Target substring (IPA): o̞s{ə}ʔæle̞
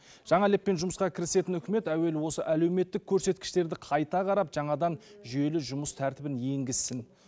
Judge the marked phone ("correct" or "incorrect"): correct